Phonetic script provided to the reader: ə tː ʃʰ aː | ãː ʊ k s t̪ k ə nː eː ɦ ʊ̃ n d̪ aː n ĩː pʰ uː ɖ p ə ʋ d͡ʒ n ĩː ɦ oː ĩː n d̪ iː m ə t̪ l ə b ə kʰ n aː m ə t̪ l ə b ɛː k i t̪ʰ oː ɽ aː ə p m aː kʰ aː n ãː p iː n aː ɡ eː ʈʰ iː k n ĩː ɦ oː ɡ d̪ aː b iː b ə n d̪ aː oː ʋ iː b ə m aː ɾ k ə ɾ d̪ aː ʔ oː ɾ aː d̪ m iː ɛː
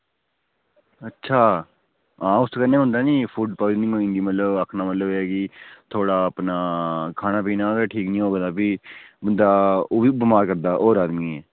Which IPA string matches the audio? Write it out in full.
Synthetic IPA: ə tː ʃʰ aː | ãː ʊ s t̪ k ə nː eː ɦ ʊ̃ n d̪ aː n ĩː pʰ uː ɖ p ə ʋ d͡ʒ n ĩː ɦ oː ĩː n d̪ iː m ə t̪ l ə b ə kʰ n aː m ə t̪ l ə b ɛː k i t̪ʰ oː ɽ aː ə p n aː kʰ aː n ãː p iː n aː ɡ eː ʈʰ iː k n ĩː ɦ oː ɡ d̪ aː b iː b ə n d̪ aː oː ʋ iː b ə m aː ɾ k ə ɾ d̪ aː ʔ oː ɾ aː d̪ m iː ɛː